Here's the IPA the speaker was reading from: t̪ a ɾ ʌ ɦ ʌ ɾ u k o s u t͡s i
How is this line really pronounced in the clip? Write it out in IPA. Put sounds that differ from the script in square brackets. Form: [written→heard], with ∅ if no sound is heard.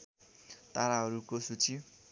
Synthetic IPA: t̪ a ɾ [ʌ→a] ɦ ʌ ɾ u k o s u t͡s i